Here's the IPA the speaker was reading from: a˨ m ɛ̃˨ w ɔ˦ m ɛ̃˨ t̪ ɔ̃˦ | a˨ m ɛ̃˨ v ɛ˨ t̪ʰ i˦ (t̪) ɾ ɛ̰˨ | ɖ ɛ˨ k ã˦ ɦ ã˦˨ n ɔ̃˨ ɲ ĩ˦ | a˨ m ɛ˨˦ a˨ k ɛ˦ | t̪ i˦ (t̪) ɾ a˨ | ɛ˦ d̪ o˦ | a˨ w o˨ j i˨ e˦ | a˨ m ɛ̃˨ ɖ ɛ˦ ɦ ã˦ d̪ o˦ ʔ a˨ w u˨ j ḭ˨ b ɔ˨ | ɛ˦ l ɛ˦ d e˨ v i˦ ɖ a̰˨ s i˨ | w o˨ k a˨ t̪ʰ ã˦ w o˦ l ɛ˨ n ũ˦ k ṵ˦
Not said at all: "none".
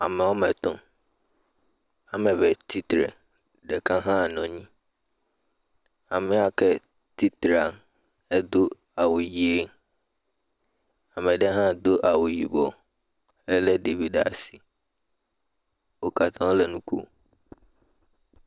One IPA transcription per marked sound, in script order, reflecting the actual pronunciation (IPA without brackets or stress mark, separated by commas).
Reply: t̪, t̪